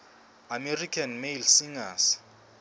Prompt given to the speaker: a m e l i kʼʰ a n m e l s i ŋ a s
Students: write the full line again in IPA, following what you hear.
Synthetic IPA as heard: a m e r i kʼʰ a n m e l s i ŋ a s

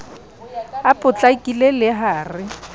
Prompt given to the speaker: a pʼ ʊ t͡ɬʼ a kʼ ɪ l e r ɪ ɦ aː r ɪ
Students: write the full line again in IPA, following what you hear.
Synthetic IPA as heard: a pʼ ʊ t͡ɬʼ a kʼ i l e l ɪ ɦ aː r ɪ

